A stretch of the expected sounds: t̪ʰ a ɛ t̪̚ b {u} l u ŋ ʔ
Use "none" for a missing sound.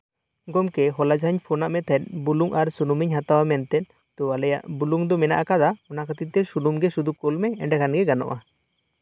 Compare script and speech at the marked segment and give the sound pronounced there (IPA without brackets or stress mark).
u